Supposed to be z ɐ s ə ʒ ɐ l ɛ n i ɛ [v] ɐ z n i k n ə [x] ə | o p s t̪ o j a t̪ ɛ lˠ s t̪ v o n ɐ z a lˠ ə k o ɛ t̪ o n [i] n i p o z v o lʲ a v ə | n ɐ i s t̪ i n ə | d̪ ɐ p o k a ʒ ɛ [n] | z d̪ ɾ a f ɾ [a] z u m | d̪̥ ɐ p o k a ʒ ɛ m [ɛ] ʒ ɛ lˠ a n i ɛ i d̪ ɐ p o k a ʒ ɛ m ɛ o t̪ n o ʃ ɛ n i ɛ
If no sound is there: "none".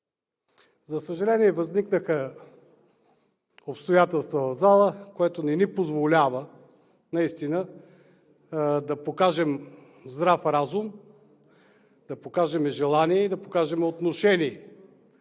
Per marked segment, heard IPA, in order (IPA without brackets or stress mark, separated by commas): v, x, ɛ, m, a, ɛ